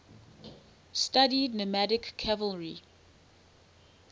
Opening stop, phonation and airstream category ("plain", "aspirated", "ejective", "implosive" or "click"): plain